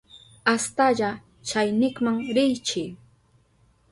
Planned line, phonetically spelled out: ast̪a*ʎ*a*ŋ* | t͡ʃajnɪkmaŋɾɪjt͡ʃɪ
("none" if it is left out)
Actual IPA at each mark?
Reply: ʎ, none

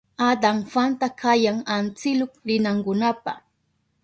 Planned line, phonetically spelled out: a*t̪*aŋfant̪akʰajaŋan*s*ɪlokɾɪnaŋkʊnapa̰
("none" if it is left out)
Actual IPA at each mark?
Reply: d̪, t͡s

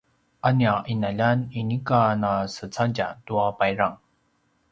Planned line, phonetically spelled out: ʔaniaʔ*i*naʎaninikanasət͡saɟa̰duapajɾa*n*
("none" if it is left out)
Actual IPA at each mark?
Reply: i, ŋ

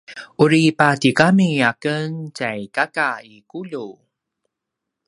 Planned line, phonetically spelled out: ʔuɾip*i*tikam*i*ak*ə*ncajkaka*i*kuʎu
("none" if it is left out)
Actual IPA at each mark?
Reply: a, i, ə, i

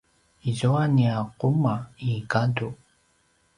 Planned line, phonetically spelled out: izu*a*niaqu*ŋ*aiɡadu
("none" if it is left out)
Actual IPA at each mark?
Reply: a, m

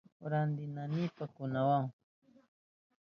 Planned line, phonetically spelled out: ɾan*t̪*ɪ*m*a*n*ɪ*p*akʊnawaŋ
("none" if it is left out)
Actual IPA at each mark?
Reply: d̪, n, n, p

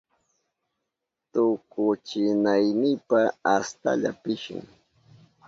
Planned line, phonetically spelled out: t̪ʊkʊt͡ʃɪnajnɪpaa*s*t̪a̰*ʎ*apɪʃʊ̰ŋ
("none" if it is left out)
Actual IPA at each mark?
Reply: s, ʎ

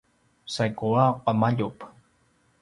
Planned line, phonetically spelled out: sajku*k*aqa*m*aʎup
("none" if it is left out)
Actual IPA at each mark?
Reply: none, m

